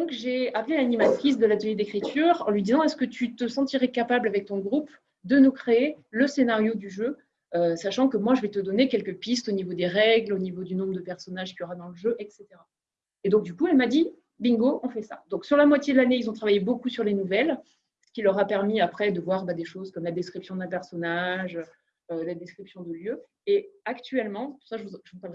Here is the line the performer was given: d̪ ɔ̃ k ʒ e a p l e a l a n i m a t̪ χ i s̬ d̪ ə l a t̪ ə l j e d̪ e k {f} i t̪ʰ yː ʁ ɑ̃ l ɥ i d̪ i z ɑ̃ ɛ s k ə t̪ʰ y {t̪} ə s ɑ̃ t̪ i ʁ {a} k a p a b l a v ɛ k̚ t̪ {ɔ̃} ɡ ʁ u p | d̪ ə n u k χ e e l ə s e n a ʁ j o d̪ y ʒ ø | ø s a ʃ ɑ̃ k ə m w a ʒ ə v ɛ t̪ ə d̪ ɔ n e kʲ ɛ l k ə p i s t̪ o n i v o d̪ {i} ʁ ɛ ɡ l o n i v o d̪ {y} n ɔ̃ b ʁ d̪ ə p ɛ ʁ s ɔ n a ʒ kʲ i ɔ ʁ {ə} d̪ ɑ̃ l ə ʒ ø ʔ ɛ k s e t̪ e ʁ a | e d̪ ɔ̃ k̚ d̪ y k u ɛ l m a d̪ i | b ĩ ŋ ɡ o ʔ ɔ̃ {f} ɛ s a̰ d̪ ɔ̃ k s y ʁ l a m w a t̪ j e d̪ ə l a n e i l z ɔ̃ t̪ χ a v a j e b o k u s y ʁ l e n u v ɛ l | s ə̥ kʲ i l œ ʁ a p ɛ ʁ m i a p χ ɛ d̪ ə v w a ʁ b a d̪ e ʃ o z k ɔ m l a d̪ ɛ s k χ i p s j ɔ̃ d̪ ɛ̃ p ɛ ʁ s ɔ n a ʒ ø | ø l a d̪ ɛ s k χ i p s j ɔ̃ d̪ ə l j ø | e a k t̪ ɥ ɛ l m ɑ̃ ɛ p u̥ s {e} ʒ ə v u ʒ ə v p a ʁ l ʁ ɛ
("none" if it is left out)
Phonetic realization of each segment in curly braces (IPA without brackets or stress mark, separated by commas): χ, t̪, ɛ, ɔ̃, e, y, a, f, a